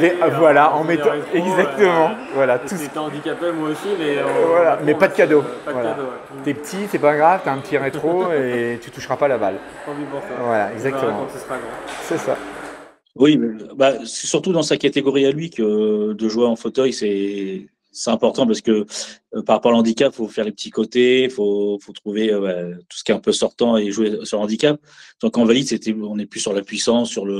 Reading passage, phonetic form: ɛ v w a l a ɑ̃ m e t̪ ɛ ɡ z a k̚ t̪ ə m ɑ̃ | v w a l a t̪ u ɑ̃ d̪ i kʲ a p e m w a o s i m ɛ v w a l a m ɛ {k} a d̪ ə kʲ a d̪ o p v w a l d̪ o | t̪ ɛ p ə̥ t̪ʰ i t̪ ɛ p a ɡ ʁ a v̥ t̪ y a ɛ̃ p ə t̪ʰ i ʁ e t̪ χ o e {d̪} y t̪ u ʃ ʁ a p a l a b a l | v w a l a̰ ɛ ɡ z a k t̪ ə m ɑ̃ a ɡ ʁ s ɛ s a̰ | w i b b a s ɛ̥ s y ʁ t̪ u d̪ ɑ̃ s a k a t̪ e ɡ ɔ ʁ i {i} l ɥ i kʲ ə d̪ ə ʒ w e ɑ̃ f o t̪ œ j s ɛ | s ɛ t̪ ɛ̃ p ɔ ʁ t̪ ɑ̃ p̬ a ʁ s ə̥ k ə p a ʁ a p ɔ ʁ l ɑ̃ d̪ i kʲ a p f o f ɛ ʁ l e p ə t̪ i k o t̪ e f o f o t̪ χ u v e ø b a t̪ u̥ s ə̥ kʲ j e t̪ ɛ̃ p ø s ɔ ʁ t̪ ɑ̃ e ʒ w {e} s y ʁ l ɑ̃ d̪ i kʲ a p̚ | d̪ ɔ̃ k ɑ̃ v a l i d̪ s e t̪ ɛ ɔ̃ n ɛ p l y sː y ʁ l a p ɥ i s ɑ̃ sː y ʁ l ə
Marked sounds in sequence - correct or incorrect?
incorrect: p, incorrect: t̪, incorrect: a, correct

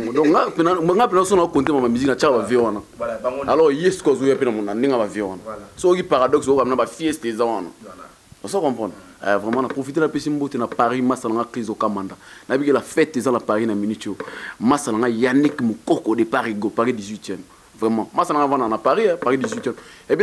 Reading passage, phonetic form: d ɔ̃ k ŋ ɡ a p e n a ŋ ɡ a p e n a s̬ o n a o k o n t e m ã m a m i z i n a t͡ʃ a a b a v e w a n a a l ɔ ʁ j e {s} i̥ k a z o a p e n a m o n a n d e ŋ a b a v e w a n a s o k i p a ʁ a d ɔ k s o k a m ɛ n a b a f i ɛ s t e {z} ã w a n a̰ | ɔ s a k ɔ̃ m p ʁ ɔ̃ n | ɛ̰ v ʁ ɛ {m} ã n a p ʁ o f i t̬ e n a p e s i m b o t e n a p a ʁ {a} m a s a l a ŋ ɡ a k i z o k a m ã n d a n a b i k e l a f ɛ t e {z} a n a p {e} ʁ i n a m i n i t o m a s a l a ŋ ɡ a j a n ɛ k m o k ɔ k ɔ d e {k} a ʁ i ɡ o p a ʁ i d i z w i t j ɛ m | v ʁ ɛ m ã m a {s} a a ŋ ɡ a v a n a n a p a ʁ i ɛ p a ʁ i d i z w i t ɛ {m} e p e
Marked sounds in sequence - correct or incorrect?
correct, correct, correct, incorrect: i, correct, incorrect: a, incorrect: p, correct, correct

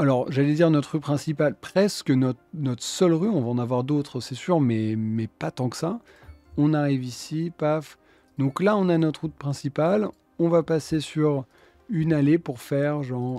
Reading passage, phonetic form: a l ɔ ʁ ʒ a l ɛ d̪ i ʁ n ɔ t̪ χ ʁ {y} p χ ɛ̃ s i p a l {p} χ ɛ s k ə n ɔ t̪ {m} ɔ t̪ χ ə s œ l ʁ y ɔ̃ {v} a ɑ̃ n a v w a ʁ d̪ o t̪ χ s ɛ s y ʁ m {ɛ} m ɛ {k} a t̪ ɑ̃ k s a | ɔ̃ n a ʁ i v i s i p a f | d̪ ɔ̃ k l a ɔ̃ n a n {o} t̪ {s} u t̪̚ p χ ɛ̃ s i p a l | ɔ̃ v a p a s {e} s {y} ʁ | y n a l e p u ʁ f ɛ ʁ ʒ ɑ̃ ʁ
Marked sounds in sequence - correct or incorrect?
correct, correct, incorrect: n, correct, correct, incorrect: p, incorrect: ɔ, incorrect: χ, correct, correct

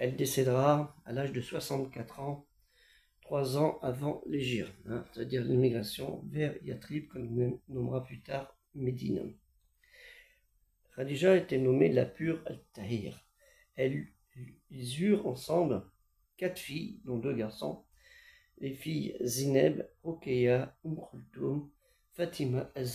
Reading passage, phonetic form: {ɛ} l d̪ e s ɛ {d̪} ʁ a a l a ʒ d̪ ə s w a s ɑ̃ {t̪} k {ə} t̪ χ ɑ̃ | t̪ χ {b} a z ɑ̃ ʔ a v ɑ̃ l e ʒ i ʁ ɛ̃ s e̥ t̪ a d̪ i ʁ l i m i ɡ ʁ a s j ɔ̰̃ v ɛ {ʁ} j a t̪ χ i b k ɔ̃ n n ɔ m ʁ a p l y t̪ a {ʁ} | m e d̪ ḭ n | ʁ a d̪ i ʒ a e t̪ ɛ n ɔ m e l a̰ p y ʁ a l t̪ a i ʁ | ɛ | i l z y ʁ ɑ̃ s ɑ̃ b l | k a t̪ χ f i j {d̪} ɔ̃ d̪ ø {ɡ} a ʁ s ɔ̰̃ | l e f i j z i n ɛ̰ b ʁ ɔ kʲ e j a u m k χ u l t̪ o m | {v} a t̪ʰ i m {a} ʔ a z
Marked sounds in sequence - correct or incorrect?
correct, correct, correct, incorrect: a, incorrect: w, correct, correct, correct, correct, incorrect: f, correct

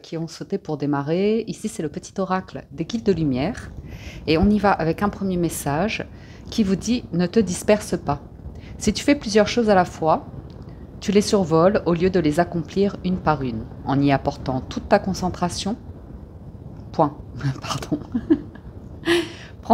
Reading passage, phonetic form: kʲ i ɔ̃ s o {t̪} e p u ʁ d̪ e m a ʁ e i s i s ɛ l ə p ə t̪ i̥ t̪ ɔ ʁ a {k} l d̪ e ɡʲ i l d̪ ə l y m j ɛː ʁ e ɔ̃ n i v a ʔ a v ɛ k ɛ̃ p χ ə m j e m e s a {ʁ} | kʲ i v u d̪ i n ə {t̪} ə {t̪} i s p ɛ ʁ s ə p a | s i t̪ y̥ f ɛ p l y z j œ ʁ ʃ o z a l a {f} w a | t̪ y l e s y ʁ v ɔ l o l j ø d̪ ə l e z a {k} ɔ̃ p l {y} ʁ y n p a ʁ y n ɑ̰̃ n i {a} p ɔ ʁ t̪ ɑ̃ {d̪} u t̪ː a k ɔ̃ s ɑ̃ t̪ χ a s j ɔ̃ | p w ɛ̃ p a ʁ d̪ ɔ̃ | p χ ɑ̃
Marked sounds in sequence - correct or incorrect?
correct, correct, incorrect: ʒ, correct, incorrect: d̪, correct, correct, incorrect: i, correct, incorrect: t̪

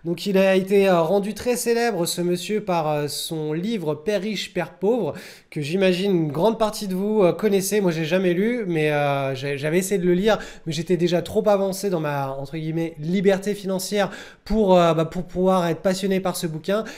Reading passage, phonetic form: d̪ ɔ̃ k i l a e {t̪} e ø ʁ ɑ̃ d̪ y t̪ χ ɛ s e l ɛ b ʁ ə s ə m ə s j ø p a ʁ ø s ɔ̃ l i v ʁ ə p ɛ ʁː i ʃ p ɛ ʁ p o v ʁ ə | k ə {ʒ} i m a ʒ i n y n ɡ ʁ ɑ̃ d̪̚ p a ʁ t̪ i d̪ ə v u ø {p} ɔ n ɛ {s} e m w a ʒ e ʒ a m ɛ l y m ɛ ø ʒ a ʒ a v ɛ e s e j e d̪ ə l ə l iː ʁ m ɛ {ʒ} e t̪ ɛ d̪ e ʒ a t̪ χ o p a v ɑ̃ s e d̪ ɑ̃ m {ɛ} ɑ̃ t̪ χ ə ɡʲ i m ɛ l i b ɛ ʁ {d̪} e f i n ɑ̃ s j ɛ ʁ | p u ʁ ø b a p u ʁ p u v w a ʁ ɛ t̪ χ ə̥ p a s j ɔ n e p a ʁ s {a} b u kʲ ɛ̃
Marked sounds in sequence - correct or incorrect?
correct, correct, incorrect: k, correct, correct, incorrect: a, incorrect: t̪, incorrect: ə

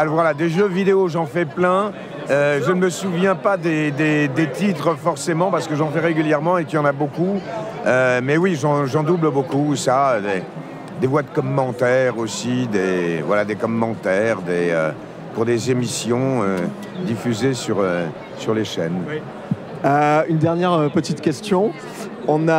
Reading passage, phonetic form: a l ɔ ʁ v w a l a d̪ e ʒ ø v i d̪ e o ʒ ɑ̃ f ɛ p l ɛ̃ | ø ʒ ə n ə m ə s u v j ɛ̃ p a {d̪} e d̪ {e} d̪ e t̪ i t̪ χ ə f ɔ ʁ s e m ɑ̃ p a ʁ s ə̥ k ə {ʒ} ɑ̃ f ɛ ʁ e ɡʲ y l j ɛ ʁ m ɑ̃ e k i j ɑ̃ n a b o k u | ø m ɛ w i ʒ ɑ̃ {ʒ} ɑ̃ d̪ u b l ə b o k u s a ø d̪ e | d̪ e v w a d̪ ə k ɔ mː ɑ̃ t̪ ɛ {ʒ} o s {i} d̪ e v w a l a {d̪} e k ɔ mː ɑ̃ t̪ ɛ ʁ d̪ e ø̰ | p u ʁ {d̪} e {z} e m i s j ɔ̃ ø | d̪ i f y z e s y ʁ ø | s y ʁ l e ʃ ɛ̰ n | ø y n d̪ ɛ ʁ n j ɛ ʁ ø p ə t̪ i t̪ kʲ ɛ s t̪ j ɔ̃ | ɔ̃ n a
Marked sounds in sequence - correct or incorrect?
correct, correct, correct, correct, incorrect: ʁ, correct, correct, correct, correct

